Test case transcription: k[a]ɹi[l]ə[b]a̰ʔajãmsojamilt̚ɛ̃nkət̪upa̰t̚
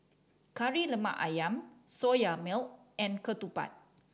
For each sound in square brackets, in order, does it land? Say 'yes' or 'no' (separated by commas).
yes, yes, no